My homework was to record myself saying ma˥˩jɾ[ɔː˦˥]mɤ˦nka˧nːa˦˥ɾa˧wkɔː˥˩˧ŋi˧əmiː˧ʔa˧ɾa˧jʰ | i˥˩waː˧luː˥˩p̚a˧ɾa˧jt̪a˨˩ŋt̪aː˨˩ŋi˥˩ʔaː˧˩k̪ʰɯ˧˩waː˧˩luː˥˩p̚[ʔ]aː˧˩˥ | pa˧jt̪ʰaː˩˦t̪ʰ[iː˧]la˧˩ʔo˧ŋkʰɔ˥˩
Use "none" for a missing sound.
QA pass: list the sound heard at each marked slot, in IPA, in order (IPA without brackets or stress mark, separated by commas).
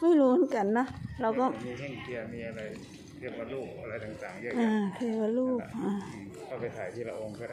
uː˦˥, ʔ, iː˥˩